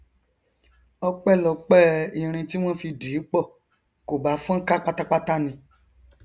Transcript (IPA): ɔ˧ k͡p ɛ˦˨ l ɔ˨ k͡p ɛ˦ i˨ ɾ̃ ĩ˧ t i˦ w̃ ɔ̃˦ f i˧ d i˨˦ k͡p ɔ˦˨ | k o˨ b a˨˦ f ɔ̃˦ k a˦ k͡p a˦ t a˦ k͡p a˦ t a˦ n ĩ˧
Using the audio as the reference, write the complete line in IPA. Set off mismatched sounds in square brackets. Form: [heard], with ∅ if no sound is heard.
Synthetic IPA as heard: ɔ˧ k͡p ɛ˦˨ l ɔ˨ k͡p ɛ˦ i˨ ɾ̃ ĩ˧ t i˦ w̃ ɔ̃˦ f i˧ d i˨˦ k͡p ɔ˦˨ | k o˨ b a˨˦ f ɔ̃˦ k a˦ k͡p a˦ t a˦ k͡p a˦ t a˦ n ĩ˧

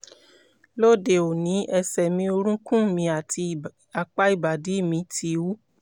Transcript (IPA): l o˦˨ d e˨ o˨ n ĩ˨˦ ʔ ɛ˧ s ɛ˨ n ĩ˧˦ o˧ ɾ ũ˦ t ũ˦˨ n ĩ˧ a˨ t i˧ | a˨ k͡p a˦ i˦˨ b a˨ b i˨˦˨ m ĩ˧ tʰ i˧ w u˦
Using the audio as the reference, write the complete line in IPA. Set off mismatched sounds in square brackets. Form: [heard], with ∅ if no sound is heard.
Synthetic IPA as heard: l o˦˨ d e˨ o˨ n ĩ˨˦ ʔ ɛ˧ s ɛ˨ [m] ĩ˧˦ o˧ ɾ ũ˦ [k] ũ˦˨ [m] ĩ˧ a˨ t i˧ | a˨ k͡p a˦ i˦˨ b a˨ [d] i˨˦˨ m ĩ˧ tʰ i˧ w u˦

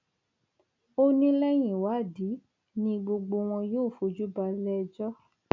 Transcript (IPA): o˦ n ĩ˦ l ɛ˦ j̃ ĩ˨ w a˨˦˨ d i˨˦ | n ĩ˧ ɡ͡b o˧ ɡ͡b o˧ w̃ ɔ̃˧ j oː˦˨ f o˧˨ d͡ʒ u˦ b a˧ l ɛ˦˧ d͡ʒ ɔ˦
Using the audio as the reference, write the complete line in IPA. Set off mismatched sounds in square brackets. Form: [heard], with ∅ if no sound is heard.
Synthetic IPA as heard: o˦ n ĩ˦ l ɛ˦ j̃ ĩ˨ w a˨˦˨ d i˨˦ | n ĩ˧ ɡ͡b o˧ ɡ͡b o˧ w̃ ɔ̃˧ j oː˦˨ f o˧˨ d͡ʒ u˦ b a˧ l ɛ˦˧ d͡ʒ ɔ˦

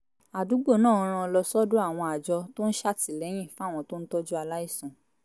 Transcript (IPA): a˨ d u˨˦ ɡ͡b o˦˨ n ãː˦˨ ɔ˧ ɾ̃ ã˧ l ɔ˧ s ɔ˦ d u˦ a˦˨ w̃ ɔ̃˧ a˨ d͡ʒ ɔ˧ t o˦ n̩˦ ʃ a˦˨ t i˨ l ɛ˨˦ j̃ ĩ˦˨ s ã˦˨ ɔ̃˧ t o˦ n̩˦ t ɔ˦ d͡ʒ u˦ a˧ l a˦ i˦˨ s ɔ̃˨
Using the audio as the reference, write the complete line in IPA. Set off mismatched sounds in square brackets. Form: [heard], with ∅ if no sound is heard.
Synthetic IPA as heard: a˨ d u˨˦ ɡ͡b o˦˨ n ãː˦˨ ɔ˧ ɾ̃ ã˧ l ɔ˧ s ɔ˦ d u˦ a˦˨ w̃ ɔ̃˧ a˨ d͡ʒ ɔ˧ t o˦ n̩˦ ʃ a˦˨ t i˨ l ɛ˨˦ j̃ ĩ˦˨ [f] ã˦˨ ɔ̃˧ t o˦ n̩˦ t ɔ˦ d͡ʒ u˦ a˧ l a˦ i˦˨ s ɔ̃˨

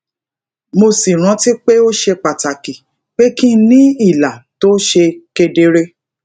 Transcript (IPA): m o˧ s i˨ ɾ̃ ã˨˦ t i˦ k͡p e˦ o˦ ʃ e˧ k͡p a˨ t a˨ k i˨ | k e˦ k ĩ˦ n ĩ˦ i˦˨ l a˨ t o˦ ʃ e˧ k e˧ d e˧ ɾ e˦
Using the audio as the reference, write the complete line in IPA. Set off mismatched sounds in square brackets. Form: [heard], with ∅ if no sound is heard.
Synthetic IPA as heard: m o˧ s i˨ ɾ̃ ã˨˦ t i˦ k͡p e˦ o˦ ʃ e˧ k͡p a˨ t a˨ k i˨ | [k͡p] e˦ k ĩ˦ n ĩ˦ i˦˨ l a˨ t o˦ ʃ e˧ k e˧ d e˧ ɾ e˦

